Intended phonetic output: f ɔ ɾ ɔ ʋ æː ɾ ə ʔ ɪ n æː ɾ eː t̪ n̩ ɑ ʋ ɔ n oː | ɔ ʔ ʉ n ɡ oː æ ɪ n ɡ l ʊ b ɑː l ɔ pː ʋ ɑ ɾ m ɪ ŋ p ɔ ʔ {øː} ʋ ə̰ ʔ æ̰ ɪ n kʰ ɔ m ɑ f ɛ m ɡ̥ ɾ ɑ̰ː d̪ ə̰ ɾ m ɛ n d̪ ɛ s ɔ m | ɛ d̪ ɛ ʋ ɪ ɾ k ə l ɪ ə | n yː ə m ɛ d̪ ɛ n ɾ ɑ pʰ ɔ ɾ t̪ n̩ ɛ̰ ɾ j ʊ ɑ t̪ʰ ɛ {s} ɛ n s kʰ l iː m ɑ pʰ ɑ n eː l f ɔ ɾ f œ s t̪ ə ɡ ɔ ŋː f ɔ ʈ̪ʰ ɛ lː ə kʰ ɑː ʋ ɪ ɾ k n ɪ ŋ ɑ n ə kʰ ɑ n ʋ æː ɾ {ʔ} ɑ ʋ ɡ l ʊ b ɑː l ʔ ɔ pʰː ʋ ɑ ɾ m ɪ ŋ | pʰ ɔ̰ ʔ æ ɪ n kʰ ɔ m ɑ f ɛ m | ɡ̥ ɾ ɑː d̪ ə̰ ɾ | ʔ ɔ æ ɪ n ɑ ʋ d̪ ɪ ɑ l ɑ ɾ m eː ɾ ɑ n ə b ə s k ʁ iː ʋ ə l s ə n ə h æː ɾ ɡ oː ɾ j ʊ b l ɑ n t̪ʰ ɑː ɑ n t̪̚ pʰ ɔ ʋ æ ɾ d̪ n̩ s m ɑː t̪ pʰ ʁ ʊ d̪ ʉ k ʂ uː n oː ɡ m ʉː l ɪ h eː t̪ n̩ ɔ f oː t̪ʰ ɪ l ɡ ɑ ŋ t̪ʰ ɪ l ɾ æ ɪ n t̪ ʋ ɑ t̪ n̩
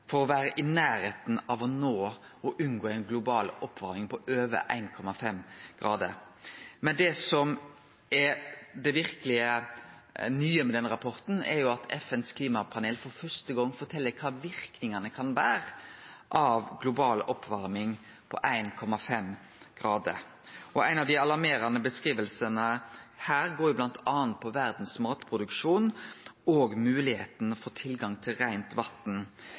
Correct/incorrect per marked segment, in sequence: correct, incorrect: f, correct

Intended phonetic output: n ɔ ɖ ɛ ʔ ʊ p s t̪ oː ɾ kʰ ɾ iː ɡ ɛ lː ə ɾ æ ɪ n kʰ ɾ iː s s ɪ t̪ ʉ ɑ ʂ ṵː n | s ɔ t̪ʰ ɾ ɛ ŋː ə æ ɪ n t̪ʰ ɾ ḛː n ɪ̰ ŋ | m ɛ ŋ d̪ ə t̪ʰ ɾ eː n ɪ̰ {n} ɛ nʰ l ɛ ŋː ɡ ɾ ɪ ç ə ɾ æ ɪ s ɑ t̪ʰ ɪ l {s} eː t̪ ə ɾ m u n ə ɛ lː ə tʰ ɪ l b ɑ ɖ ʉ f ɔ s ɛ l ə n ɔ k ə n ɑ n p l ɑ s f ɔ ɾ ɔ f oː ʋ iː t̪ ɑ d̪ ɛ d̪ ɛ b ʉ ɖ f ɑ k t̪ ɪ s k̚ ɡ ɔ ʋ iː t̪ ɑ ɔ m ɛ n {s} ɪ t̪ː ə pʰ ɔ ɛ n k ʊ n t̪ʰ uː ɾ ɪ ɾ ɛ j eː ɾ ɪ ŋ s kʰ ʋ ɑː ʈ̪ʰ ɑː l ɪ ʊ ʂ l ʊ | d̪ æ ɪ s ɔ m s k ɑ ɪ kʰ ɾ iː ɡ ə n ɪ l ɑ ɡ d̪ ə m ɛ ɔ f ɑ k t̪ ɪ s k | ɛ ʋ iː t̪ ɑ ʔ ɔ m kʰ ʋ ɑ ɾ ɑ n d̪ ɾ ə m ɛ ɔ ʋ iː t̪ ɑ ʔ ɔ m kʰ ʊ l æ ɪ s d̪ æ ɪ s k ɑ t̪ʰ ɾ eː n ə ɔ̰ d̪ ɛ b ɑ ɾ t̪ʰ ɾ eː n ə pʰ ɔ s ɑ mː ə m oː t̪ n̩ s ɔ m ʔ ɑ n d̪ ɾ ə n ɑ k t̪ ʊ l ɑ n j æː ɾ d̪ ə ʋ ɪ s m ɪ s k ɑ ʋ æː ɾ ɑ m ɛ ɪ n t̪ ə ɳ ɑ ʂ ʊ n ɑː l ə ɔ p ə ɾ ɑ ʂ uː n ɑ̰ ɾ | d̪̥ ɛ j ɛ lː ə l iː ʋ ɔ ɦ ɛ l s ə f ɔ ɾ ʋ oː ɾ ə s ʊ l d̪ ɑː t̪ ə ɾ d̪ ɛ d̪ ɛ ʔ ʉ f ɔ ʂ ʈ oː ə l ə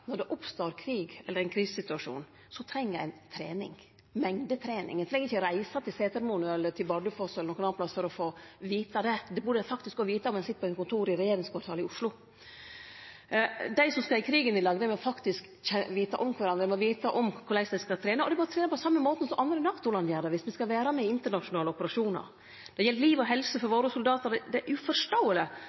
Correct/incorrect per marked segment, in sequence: incorrect: ŋ, correct, correct

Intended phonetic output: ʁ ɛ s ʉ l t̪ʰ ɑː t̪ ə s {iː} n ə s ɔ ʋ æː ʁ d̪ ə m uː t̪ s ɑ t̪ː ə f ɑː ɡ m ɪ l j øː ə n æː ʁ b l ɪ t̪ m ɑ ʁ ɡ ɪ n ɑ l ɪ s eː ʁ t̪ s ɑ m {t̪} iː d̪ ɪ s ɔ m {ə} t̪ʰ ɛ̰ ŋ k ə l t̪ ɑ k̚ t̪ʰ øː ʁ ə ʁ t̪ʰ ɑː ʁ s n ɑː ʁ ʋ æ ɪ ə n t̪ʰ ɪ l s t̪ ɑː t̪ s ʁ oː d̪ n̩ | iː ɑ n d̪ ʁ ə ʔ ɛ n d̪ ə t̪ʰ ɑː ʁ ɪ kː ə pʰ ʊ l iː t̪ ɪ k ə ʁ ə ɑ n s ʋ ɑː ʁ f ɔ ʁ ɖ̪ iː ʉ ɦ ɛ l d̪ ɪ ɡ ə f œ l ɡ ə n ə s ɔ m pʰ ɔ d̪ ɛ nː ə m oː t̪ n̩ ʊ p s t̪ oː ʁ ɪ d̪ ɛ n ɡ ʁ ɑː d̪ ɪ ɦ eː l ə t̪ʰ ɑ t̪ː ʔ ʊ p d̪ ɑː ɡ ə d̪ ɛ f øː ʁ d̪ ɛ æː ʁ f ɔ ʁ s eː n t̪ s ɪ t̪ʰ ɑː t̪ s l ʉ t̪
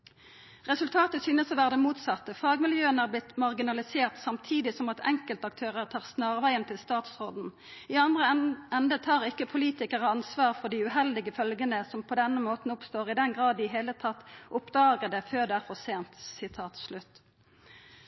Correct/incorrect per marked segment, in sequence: incorrect: yː, incorrect: t̪ʰ, incorrect: ɑ

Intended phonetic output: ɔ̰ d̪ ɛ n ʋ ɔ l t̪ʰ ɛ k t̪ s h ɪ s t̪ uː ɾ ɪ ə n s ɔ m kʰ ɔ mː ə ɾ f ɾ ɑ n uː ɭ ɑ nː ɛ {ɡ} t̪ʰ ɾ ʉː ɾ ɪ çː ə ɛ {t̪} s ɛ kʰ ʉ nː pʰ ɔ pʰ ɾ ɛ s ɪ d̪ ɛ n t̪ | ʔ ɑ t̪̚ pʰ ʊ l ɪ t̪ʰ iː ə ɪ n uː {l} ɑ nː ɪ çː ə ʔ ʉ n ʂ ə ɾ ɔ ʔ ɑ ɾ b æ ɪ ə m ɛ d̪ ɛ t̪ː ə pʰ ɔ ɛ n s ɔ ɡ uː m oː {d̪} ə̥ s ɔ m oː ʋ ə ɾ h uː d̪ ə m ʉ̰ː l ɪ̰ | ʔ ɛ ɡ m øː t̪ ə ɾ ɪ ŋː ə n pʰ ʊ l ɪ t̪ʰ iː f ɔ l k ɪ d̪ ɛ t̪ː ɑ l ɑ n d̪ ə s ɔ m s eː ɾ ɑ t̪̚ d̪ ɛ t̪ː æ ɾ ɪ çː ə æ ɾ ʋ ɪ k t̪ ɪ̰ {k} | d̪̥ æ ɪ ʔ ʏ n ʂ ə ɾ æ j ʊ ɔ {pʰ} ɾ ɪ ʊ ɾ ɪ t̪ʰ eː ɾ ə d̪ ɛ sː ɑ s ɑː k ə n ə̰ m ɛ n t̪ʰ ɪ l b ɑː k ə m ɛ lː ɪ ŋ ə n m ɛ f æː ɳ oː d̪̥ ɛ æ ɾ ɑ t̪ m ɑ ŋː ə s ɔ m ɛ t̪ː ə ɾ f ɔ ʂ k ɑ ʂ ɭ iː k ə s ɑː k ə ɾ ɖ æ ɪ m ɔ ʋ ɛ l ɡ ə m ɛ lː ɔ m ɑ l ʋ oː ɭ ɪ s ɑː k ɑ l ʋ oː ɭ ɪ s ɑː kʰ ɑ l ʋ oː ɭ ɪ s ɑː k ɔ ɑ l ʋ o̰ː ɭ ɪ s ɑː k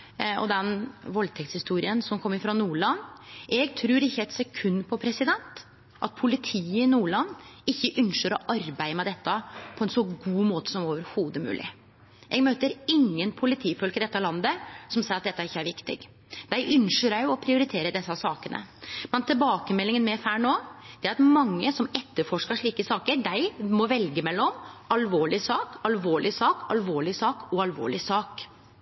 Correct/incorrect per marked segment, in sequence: correct, correct, incorrect: ɭ, incorrect: t̪, incorrect: ɡ, correct

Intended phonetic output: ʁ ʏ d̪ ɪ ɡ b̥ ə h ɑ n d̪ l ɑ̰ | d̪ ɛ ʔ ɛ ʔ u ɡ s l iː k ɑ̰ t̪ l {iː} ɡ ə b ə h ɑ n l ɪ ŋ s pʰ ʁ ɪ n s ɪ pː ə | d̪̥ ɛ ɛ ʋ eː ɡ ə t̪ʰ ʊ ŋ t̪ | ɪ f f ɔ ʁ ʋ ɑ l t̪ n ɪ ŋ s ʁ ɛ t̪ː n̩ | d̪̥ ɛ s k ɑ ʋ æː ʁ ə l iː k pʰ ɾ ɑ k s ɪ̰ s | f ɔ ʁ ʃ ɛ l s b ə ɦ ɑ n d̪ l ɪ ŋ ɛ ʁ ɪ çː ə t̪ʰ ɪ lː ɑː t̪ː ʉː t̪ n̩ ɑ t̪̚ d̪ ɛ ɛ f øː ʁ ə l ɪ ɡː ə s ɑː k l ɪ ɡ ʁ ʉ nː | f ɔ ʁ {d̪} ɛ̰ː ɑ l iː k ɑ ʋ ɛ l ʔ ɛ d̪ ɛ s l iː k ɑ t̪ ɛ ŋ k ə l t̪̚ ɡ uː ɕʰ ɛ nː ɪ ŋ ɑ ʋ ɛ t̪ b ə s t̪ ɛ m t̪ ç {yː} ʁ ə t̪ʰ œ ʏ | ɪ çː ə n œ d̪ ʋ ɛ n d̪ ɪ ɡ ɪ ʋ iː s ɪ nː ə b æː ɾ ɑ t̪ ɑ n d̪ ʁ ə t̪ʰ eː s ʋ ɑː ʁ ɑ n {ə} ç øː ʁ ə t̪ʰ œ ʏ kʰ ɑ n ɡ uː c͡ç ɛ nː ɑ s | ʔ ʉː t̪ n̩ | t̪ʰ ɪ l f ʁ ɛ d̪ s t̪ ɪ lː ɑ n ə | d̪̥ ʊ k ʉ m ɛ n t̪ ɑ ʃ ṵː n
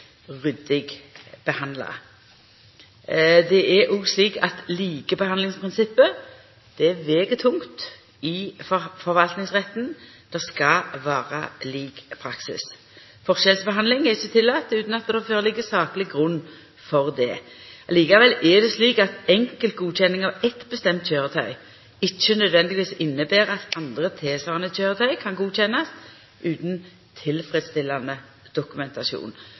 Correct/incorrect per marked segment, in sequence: correct, correct, incorrect: øː, correct

